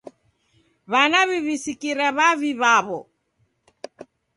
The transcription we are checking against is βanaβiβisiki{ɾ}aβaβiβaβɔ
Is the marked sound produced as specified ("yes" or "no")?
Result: yes